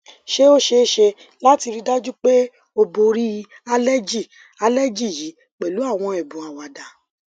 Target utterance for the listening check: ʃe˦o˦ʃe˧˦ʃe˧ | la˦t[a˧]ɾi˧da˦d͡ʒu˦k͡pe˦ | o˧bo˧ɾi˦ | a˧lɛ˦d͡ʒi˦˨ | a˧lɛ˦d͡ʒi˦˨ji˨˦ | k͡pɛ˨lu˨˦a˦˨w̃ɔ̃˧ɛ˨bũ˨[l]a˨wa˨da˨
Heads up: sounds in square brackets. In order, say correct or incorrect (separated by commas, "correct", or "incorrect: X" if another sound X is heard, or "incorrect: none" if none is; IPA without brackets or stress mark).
incorrect: i˧, incorrect: none